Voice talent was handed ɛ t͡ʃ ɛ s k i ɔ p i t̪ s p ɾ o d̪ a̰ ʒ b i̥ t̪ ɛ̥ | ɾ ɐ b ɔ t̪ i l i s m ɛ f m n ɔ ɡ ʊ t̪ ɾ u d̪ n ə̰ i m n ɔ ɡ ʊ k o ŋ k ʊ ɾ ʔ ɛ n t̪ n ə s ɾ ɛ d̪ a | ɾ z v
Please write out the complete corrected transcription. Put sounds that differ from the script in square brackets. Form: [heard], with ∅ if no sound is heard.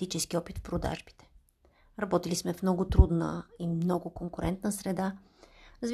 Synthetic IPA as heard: [i] t͡ʃ ɛ s k i ɔ p i t̪ [f] p ɾ o d̪ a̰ ʒ b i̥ t̪ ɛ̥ | ɾ ɐ b ɔ t̪ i l i s m ɛ f m n ɔ ɡ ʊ t̪ ɾ u d̪ n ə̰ i m n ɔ ɡ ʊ k o ŋ k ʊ ɾ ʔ ɛ n t̪ n ə s ɾ ɛ d̪ a | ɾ z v